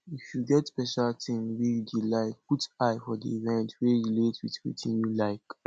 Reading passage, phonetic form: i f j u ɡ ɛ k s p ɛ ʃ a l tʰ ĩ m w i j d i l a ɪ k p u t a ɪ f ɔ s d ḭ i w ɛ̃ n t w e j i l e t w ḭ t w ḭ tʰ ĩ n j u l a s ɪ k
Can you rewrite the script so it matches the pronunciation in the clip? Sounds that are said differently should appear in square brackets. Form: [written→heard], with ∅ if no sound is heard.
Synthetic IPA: i f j u ɡ ɛ [k→t] s p ɛ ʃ a l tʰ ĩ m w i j d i l a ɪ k p u t a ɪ f ɔ [s→∅] d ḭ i [w→v] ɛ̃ n t w e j i l e t w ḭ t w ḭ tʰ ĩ n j u l a [s→∅] ɪ k